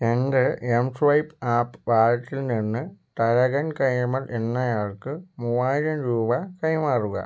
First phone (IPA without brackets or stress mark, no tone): e